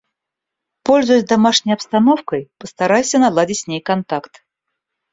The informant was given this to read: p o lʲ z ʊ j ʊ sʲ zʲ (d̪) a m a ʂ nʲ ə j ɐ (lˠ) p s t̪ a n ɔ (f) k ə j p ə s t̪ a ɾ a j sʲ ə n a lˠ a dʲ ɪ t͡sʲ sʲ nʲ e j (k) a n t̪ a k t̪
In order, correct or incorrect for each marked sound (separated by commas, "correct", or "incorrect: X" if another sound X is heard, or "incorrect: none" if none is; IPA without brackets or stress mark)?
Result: correct, incorrect: none, correct, correct